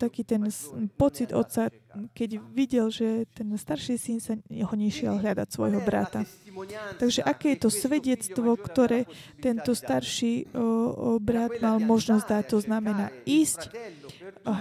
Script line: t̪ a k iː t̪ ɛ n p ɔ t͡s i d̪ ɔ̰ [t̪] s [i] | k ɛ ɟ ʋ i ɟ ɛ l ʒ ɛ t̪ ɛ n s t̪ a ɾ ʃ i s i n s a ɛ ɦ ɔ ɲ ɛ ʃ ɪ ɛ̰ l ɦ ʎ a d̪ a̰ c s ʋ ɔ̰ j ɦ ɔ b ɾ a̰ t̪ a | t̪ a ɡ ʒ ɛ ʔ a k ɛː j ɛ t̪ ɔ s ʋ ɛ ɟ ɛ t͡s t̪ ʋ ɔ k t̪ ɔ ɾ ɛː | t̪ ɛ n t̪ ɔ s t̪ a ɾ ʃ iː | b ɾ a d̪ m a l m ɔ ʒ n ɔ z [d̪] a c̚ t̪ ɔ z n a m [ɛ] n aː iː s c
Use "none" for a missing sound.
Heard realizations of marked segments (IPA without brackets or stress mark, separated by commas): t̪, a, d̪, ɛ